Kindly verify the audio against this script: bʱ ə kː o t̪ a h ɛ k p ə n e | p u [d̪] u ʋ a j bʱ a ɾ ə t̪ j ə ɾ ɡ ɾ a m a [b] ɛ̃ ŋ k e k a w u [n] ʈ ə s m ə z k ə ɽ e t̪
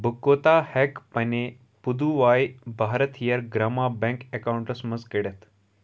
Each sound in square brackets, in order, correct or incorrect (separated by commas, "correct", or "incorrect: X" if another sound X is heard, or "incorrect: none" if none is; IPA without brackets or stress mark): correct, correct, incorrect: ɳ